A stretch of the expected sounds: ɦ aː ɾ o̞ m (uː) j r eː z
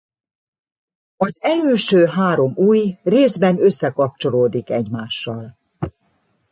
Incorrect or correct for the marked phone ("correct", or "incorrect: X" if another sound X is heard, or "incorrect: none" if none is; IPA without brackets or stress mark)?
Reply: correct